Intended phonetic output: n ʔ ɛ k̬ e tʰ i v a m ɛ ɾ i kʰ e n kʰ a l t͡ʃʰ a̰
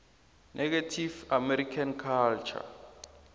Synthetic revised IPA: n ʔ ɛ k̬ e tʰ i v a m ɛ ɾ i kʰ a n kʰ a l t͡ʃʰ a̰